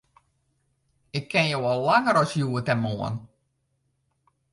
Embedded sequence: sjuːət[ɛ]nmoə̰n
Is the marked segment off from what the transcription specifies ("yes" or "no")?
no